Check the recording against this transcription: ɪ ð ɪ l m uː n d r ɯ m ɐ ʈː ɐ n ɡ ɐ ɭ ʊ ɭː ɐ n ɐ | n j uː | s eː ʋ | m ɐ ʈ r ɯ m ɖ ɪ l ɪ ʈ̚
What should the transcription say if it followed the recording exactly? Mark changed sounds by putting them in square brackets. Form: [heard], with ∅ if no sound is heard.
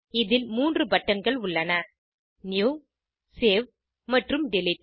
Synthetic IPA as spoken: ɪ ð ɪ l m uː n d r ɯ [b] ɐ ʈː ɐ n ɡ ɐ ɭ ʊ ɭː ɐ n ɐ | n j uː | s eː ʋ | m ɐ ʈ r ɯ m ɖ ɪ l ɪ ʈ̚